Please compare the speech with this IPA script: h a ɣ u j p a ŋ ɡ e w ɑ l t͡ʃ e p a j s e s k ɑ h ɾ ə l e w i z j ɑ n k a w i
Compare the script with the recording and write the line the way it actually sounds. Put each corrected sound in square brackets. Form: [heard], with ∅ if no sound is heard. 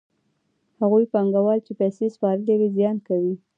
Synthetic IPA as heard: h a ɣ u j p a ŋ ɡ [a] w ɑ l t͡ʃ e p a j s e s [p] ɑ [∅] ɾ ə l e w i z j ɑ n k a w i